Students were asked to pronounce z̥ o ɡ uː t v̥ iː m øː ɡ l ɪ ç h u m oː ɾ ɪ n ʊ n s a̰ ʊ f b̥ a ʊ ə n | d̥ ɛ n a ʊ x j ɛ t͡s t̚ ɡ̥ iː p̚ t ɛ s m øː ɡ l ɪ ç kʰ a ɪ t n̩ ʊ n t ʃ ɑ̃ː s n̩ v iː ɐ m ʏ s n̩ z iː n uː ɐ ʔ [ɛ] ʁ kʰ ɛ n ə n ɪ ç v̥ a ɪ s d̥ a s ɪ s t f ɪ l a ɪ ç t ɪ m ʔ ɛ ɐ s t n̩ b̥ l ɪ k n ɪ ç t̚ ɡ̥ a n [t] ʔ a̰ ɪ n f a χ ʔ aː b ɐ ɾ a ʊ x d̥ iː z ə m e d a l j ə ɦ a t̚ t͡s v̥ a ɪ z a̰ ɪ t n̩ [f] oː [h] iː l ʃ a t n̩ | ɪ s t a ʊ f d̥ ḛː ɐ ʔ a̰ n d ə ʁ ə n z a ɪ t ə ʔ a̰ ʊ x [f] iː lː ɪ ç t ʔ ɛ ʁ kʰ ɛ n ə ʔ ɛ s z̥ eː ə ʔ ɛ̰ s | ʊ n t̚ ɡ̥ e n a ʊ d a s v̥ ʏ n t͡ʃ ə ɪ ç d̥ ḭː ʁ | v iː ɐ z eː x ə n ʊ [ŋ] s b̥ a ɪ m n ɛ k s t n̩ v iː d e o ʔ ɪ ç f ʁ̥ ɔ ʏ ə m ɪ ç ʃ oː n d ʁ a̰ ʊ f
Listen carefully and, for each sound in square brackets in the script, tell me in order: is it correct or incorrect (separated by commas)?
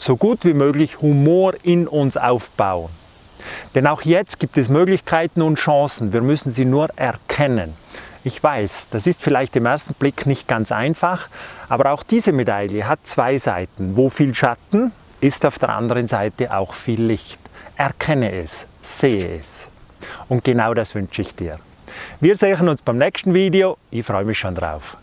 correct, incorrect, incorrect, incorrect, correct, incorrect